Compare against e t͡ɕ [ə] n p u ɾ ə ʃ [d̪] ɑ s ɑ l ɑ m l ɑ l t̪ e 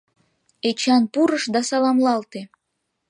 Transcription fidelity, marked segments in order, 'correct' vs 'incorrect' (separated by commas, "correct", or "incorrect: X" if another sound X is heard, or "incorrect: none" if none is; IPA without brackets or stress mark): incorrect: ɑ, correct